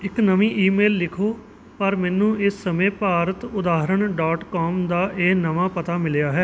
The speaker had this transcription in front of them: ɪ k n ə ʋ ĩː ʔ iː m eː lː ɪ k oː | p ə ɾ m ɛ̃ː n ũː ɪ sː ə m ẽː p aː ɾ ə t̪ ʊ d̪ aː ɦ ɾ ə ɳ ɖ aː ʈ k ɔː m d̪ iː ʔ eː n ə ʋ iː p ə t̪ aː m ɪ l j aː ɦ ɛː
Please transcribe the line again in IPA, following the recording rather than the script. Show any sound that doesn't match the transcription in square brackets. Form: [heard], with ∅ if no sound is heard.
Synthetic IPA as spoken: ɪ k n ə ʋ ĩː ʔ iː m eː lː ɪ [kʰ] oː | p ə ɾ m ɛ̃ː n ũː ɪ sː ə m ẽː p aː ɾ ə t̪ ʊ d̪ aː ɦ ɾ ə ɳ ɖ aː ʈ k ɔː m d̪ [aː] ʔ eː n ə ʋ [aː] p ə t̪ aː m ɪ l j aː ɦ ɛː